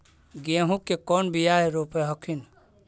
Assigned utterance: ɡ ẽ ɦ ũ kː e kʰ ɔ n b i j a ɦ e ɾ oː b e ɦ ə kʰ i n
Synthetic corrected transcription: ɡ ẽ ɦ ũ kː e k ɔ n b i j a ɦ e ɾ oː p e ɦ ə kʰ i n